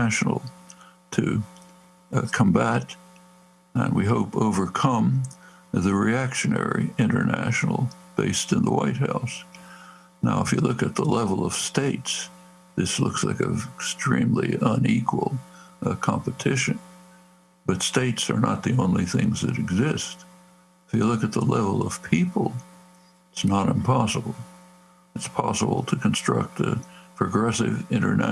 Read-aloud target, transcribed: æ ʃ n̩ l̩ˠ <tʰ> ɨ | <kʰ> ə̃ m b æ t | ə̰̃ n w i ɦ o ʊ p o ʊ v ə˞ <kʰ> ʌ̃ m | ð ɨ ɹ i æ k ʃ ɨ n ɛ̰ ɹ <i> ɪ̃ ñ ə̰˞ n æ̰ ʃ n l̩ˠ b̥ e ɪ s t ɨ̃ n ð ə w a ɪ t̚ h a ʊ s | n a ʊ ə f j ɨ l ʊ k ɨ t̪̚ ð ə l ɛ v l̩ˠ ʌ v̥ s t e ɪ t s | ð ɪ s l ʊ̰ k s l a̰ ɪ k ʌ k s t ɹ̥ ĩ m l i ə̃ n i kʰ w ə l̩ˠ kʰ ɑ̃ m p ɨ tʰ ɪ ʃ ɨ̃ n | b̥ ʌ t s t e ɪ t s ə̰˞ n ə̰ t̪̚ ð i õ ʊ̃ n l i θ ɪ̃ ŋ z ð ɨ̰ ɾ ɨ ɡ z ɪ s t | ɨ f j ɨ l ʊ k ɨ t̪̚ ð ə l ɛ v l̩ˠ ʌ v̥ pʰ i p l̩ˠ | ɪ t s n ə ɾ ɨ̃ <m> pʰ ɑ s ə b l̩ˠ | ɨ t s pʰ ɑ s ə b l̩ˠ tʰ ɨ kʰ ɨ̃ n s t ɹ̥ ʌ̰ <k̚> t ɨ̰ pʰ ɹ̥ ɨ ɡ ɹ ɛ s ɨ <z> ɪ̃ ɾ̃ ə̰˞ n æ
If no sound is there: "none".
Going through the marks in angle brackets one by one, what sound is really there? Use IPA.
tʰ, kʰ, kʰ, i, m, k̚, v

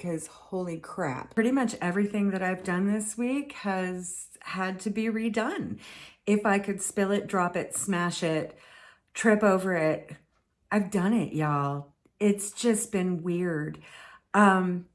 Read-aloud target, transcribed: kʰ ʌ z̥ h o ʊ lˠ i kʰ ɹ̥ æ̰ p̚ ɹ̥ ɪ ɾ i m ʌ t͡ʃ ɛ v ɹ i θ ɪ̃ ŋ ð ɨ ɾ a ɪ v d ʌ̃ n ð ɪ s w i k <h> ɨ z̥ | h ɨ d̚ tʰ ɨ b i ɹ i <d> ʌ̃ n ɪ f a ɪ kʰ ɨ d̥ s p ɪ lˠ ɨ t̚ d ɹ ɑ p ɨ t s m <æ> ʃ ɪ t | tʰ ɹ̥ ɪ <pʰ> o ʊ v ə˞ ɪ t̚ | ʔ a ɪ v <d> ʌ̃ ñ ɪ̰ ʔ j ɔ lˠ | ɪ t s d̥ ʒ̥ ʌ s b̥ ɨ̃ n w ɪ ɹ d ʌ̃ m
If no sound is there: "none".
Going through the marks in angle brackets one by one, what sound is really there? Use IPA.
h, d, æ, p, d

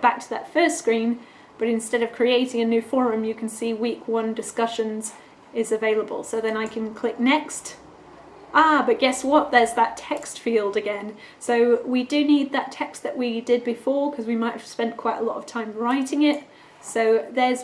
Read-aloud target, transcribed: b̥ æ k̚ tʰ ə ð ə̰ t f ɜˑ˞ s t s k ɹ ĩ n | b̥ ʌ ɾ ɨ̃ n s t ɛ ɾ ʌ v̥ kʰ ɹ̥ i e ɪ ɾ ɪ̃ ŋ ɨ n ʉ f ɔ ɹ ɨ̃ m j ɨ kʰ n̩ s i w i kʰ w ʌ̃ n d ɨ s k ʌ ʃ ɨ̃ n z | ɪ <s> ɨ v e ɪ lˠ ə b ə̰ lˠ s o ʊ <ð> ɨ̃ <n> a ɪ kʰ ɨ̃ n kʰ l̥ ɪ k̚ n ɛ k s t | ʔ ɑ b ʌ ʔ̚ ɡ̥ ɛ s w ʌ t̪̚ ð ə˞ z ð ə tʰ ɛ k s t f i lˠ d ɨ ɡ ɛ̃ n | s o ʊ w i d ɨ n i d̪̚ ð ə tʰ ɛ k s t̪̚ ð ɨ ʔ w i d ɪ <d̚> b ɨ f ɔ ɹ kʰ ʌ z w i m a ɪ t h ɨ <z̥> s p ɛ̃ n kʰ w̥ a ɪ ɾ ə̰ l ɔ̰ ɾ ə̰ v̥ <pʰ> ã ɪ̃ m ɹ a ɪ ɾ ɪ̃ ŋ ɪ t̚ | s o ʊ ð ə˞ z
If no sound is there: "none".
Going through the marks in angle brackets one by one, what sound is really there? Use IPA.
z, ð, n, d̚, v̥, tʰ

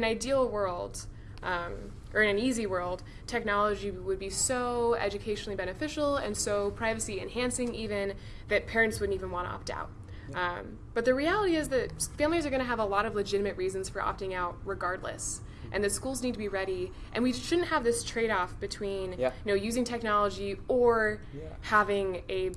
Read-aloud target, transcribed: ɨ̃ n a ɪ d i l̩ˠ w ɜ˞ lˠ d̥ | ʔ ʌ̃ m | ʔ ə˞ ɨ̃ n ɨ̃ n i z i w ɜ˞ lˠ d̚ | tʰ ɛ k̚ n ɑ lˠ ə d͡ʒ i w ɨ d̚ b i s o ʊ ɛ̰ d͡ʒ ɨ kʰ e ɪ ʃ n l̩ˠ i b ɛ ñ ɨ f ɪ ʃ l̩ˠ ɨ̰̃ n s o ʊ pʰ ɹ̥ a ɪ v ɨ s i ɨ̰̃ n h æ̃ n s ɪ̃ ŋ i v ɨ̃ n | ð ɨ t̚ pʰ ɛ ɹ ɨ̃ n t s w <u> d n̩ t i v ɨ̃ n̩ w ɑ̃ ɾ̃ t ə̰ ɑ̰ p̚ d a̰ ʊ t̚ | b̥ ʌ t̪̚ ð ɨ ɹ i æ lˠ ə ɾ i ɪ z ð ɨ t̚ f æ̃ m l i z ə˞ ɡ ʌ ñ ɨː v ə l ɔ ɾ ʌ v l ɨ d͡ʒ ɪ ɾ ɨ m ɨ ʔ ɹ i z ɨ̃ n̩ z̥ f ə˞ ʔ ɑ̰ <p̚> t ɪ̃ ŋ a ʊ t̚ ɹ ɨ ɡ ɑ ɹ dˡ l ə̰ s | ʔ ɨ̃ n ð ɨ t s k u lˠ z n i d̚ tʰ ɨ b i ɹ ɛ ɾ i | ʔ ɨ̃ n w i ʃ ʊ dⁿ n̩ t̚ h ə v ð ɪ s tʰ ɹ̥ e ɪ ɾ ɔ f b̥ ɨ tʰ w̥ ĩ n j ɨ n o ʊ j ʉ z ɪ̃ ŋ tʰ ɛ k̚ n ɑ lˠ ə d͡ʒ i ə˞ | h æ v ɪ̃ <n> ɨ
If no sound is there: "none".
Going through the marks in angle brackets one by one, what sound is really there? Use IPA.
ʊ, p̚, ŋ

